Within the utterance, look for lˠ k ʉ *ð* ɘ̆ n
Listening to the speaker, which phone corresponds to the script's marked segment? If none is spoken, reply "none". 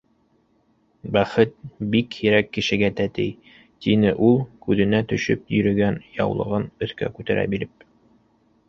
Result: ð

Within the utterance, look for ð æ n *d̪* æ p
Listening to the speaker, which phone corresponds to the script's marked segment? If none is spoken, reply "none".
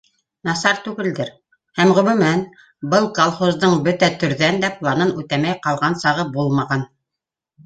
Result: d̪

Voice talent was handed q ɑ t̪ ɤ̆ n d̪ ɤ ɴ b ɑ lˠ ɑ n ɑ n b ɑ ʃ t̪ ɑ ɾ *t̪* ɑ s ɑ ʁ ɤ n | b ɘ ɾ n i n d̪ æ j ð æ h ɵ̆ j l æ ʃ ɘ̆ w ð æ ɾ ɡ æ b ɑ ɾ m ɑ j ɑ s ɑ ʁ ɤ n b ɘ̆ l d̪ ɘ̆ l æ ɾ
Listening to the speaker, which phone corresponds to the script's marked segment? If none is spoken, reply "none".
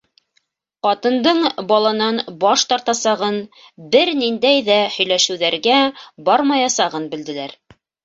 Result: t̪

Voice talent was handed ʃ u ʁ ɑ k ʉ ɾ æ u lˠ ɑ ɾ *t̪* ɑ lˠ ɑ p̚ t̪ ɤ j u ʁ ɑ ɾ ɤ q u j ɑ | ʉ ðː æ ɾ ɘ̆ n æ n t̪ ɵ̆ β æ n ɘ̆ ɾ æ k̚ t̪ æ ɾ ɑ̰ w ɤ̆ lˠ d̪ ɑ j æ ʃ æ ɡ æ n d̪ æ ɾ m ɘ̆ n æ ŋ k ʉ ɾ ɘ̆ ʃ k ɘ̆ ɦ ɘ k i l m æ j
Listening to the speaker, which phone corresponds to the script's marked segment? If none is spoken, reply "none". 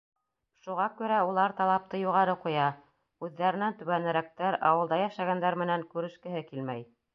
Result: t̪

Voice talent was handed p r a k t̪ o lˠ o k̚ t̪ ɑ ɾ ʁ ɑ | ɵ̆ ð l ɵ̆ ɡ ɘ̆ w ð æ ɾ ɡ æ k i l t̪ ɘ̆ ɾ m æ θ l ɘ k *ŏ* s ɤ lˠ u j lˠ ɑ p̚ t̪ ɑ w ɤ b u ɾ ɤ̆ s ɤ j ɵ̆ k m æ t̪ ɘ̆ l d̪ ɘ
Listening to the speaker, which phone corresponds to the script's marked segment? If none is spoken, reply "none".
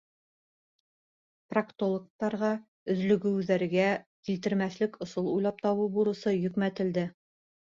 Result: ŏ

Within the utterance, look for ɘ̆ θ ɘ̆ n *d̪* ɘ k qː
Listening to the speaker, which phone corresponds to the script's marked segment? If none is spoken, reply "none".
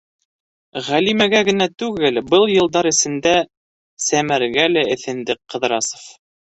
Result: d̪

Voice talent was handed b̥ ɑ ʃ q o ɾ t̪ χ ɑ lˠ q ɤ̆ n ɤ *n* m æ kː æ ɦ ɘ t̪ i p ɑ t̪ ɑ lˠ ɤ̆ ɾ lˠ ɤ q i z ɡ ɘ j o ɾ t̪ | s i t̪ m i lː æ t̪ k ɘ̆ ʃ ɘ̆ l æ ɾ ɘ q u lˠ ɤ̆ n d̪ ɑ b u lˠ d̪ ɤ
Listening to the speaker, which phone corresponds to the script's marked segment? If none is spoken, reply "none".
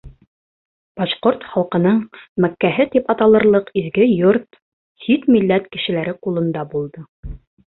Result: ɴ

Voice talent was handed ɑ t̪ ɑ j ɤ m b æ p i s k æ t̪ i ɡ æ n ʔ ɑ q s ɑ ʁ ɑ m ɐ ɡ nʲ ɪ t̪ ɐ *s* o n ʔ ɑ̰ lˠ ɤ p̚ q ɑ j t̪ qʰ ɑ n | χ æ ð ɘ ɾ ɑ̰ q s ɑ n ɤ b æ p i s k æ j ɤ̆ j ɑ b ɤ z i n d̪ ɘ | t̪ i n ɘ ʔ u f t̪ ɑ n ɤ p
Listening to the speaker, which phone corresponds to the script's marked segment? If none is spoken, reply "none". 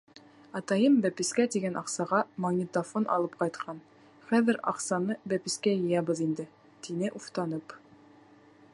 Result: f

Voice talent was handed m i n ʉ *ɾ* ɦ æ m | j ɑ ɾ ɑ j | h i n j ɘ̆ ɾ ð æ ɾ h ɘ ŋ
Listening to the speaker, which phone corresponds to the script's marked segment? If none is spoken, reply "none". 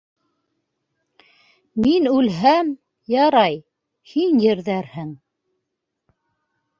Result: l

